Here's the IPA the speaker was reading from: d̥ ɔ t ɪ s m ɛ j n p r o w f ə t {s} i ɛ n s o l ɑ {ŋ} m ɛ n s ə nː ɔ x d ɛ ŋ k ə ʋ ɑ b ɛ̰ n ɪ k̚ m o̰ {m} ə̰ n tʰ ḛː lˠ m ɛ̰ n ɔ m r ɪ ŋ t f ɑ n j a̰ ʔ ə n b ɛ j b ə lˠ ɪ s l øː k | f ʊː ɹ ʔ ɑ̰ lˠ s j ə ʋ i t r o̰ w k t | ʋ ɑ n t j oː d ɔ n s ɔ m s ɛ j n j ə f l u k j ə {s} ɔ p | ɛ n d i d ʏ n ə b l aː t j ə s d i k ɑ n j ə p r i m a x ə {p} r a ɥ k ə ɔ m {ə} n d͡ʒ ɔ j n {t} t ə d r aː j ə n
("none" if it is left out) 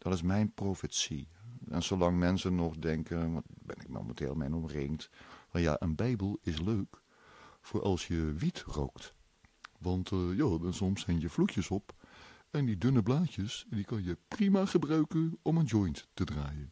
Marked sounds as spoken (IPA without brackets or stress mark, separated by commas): s, ŋ, m, s, b, ə, t